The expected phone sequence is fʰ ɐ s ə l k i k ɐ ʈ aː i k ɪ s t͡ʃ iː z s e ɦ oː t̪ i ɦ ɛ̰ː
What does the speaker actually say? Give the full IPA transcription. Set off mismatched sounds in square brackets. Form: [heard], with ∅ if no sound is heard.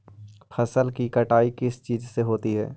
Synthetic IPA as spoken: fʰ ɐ s ə l k i k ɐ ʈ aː i k ɪ s t͡ʃ iː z s e ɦ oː t̪ i ɦ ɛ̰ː